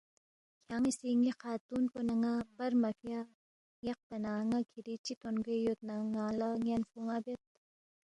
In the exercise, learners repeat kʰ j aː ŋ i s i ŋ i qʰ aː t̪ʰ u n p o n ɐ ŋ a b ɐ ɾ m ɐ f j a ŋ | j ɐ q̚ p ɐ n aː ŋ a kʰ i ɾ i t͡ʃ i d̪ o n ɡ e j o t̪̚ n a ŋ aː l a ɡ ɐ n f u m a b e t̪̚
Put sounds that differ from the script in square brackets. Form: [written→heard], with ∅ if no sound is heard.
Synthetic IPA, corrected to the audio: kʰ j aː ŋ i s i ŋ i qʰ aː [t̪ʰ→t̪] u n p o n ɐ ŋ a b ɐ ɾ m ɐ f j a [ŋ→∅] | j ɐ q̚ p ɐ n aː ŋ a kʰ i ɾ i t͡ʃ i [d̪→t̪] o n ɡ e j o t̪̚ n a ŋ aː l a [ɡ→ŋ] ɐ n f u [m→ŋ] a b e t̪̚